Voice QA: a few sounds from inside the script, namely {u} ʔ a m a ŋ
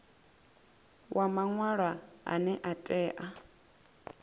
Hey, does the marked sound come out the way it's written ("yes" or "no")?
no